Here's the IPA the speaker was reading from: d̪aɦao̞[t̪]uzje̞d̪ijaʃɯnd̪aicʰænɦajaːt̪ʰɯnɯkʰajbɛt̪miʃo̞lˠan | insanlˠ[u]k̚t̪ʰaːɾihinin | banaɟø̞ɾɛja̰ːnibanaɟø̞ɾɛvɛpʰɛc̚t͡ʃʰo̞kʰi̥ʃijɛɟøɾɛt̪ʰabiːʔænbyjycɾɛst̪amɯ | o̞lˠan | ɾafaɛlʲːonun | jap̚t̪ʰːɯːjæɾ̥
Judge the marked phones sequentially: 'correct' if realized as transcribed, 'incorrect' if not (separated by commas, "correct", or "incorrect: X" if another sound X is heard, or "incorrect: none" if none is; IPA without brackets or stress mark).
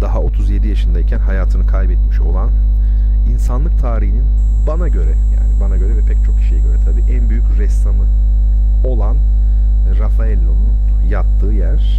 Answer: incorrect: t̪ʰ, incorrect: ɯ